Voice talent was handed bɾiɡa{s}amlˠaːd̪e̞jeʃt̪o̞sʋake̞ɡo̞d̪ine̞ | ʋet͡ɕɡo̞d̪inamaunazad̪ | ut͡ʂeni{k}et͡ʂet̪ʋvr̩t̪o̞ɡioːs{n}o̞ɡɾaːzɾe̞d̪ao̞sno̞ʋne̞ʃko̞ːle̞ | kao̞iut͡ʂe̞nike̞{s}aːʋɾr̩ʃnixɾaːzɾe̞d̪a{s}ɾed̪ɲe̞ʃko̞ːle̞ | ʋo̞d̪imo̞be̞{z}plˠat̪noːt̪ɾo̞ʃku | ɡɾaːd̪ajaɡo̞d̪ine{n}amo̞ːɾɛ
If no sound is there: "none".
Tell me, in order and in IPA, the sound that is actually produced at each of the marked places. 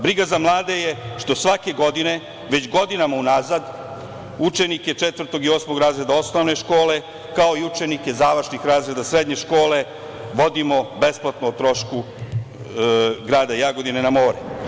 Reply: z, k, m, z, s, s, n

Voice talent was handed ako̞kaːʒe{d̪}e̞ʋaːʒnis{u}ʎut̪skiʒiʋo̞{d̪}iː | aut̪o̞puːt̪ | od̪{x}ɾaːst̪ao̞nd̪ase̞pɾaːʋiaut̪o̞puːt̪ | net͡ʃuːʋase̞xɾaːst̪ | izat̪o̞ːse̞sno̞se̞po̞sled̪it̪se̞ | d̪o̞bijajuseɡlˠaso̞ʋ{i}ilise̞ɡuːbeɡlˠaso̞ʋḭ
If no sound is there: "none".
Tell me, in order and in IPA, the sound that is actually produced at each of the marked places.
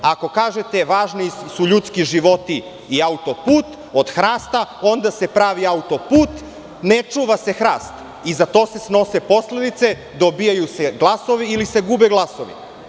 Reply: t̪, u, t̪, x, i

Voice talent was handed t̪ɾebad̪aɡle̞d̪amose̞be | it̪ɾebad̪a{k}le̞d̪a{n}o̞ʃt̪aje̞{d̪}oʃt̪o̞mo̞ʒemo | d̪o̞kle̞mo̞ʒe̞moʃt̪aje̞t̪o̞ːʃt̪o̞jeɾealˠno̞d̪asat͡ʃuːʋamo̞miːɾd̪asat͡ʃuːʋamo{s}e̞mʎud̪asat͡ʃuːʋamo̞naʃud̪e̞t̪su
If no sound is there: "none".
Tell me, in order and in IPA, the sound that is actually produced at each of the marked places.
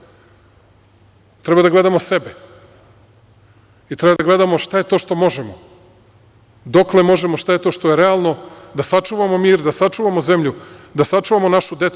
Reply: ɡ, m, t̪, z

